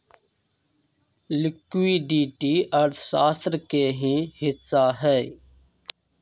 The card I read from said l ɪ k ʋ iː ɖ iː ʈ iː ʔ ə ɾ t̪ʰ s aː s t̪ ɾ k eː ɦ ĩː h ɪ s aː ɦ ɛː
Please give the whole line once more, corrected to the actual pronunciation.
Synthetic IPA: l ɪ k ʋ iː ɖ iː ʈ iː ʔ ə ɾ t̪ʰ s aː s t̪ ɾ k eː ɦ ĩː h ɪ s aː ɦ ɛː